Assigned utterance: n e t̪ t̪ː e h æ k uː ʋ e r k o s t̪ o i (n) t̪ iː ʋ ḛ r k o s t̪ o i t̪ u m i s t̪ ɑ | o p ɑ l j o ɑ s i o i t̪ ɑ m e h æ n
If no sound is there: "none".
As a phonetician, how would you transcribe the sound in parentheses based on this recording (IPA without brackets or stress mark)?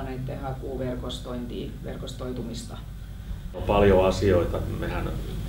n